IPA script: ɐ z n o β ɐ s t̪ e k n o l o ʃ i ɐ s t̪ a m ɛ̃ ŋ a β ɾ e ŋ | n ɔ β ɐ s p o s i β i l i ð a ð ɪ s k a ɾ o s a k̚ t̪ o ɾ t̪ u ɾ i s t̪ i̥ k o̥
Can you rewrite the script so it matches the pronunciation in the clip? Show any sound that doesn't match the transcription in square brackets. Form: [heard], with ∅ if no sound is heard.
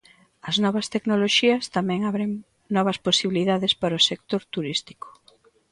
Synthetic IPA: ɐ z n [ɔ] β ɐ s t̪ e k n o l o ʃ i ɐ s t̪ a m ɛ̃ ŋ a β ɾ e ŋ | n ɔ β ɐ s p o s i β i l i ð a ð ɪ s [p] a ɾ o s [e] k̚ t̪ o ɾ t̪ u ɾ i s t̪ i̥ k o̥

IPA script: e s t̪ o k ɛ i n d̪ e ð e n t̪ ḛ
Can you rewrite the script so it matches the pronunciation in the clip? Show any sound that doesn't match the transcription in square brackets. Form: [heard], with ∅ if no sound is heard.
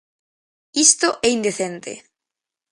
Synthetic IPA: [i] s t̪ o [ʔ] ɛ i n d̪ e [θ] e n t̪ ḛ

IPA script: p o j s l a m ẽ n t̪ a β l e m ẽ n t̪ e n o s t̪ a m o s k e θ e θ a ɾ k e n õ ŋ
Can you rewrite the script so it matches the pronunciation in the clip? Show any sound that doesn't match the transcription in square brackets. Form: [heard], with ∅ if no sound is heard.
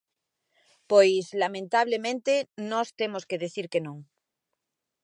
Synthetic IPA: p o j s l a m ẽ n t̪ a β l e m ẽ n t̪ e n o s t̪ [e] m o s k e [ð] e θ [i] ɾ k e n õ ŋ

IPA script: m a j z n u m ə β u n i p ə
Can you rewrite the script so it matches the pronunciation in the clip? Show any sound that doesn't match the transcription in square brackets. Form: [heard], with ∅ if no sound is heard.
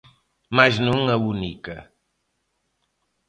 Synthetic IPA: m a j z n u [ŋ] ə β u n i [k] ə

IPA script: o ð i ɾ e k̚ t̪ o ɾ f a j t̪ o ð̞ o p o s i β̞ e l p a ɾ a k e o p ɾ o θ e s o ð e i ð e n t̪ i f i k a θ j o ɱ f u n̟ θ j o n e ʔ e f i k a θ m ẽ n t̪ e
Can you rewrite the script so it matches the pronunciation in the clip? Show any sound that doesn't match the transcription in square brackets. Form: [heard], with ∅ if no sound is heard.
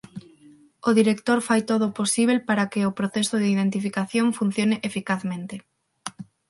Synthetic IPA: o ð i ɾ e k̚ t̪ o ɾ f a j t̪ o ð̞ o p o s i β̞ e l p a ɾ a k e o p ɾ o θ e s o ð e i ð e n t̪ i f i k a θ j o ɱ f u n̟ θ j o n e ʔ e f i k a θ m ẽ n t̪ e

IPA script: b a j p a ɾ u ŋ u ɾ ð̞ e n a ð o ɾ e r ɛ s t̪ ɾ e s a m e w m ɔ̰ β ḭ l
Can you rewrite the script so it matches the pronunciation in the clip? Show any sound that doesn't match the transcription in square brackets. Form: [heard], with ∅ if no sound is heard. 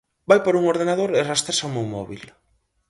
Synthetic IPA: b a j p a ɾ u ŋ [o] ɾ ð̞ e n a ð o ɾ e r [a] s t̪ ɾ e s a m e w m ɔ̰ β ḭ l

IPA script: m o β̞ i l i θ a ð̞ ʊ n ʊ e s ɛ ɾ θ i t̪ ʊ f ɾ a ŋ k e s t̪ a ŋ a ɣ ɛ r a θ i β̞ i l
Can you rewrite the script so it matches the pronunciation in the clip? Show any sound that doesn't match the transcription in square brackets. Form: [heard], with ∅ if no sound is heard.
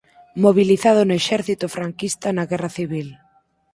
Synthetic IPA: m o β̞ i l i θ a ð̞ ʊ n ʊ e [ʃ] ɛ ɾ θ i t̪ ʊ f ɾ a ŋ k [i] s t̪ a [n] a ɣ ɛ r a θ i β̞ i l

